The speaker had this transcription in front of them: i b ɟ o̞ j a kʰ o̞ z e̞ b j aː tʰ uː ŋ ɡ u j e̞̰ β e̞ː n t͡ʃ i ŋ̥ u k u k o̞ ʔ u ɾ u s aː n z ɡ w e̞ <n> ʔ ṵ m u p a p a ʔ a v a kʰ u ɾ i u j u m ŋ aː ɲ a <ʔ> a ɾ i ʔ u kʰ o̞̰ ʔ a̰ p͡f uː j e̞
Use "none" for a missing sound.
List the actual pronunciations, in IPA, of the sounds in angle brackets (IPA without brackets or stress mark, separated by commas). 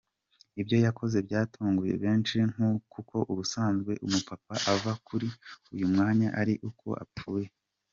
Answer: none, ʔ